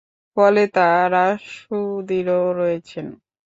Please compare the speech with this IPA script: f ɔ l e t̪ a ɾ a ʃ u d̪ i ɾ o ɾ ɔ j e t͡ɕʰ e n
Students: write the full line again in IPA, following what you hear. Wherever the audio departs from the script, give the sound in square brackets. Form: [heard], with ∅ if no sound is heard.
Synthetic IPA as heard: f ɔ l e t̪ a ɾ a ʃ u d̪ i ɾ o ɾ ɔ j e t͡ɕʰ e n